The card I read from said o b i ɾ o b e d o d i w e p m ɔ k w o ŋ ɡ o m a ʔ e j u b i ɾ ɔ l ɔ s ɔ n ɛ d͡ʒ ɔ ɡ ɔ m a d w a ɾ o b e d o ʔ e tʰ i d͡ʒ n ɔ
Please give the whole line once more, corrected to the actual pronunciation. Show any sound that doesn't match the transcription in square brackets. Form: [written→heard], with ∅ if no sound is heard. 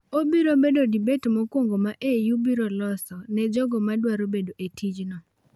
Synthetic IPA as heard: o b i ɾ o b e d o d i [w→b] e [p→t] m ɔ k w o ŋ ɡ o m a ʔ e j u b i ɾ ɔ l ɔ s ɔ n ɛ d͡ʒ ɔ ɡ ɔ m a d w a ɾ o b e d o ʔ e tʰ i d͡ʒ n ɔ